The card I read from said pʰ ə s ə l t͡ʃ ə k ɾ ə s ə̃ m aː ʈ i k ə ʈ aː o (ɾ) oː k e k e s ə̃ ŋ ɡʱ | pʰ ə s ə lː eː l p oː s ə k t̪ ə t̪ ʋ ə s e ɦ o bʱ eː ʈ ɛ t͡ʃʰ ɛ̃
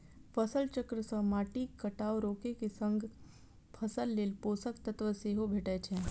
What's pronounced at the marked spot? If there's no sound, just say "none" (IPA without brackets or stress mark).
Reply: ɾ